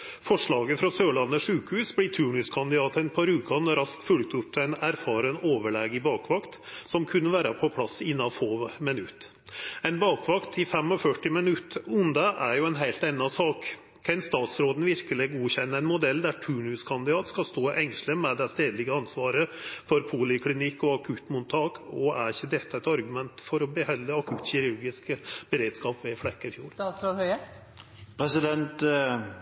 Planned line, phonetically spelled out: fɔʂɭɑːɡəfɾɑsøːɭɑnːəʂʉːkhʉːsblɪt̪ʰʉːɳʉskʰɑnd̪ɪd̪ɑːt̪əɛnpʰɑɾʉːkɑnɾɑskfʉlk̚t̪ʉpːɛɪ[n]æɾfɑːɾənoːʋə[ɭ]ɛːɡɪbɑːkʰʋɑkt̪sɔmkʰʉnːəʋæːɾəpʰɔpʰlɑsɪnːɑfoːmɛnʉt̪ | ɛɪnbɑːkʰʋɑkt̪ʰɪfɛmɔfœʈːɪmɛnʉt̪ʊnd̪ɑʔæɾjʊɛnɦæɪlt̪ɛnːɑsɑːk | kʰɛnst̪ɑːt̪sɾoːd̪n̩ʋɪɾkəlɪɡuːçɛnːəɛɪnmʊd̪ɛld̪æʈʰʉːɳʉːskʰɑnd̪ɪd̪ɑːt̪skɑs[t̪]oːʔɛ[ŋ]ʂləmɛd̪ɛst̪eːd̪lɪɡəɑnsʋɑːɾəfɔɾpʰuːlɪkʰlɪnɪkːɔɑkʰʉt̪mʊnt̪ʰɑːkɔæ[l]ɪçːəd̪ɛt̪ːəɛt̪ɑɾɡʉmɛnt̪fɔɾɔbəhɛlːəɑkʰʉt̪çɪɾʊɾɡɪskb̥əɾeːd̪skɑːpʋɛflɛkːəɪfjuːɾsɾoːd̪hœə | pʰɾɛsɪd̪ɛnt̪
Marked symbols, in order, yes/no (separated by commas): yes, yes, yes, yes, no